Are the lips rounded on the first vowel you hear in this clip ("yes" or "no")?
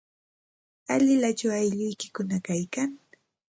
no